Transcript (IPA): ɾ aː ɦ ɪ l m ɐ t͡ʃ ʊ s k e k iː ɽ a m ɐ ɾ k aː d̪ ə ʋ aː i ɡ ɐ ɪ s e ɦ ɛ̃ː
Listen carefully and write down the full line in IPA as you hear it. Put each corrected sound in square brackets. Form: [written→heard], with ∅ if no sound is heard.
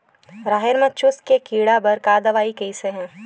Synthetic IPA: ɾ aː ɦ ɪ [l→ɾ] m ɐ t͡ʃ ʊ s k e k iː ɽ a [m→b] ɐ ɾ k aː d̪ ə ʋ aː i [ɡ→k] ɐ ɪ s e ɦ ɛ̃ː